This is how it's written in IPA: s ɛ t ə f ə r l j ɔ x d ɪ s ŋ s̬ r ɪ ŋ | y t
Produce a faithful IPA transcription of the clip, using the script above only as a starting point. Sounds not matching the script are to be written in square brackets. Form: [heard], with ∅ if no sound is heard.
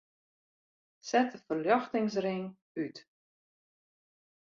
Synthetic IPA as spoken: s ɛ t ə f ə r l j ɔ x [t] ɪ [∅] ŋ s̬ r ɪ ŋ | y t